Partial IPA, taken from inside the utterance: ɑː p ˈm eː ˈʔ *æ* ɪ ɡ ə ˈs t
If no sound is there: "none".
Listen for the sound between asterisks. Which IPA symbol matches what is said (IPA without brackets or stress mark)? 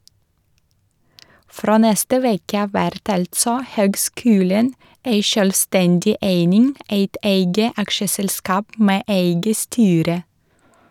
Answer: e